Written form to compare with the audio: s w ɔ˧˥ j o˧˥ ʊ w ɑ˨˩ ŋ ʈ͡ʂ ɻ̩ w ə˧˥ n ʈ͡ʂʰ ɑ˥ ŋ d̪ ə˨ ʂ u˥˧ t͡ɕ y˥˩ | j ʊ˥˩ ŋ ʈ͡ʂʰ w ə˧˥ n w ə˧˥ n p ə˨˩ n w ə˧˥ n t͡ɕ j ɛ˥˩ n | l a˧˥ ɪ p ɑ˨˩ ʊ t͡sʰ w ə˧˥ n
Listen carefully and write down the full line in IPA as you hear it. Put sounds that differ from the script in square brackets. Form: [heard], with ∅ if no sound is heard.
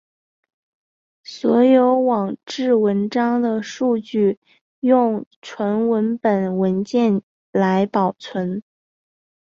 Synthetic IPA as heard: s w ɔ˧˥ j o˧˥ ʊ w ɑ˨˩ ŋ ʈ͡ʂ ɻ̩ w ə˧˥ n [ʈ͡ʂ] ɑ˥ ŋ d̪ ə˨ ʂ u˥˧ t͡ɕ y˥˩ | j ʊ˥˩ ŋ ʈ͡ʂʰ w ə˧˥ n w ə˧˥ n p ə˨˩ n w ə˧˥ n t͡ɕ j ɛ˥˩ n | l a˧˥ ɪ p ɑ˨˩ ʊ t͡sʰ w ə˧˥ n